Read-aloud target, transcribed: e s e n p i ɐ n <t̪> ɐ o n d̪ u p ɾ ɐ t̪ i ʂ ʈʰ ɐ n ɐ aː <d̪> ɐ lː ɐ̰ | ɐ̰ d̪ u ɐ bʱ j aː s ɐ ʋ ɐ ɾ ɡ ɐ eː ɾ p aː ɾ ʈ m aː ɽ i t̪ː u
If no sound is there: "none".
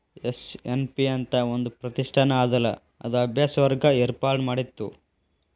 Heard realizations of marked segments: t̪, d̪

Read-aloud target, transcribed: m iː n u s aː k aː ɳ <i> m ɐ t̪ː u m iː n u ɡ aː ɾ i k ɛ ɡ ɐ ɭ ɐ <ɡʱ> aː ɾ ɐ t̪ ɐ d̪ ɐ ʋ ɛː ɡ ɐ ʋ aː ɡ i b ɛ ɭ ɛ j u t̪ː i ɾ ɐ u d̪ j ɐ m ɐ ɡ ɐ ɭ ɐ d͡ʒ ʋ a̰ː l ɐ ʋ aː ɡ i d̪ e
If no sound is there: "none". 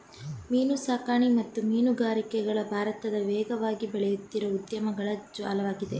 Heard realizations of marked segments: i, bʱ

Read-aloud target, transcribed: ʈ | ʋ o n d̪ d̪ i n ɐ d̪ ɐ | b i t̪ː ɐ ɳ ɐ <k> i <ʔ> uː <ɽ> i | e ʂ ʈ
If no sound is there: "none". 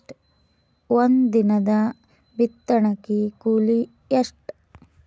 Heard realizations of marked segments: k, k, l

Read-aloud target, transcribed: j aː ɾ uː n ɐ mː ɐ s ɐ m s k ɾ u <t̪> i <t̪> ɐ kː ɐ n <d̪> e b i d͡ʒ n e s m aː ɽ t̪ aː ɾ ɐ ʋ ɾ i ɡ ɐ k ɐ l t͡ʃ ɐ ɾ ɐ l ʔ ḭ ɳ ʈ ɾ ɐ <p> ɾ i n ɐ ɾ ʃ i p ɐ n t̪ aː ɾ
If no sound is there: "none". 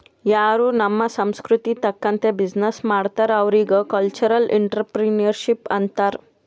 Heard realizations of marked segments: t̪, t̪, t̪, p

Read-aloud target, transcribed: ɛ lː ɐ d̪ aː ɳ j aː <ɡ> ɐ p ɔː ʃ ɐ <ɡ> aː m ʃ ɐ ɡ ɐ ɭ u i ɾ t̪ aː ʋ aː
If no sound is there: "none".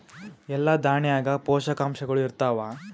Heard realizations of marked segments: ɡ, k

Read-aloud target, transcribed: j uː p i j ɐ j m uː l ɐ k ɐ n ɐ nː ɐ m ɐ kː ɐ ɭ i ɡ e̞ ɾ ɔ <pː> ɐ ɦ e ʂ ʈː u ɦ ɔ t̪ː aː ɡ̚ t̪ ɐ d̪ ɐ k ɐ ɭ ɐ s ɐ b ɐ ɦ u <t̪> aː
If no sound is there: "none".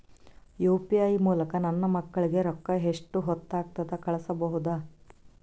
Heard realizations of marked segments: kː, d̪

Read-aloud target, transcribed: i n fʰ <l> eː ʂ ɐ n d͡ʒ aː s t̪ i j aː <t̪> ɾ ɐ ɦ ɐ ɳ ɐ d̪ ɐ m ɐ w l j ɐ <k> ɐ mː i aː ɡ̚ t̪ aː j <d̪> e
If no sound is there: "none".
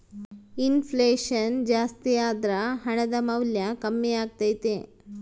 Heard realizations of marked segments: l, d̪, k, t̪

